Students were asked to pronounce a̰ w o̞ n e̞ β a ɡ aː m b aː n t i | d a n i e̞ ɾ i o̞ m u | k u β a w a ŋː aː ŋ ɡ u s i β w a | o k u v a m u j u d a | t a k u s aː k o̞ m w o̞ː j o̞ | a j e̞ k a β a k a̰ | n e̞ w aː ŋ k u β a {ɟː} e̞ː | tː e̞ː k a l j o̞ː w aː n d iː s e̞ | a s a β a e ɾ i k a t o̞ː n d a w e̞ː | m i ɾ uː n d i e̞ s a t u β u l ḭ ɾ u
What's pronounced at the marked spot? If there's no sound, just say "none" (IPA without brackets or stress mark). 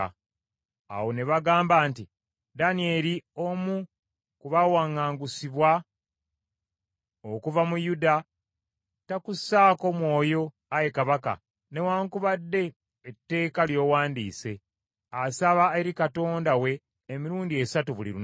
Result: dː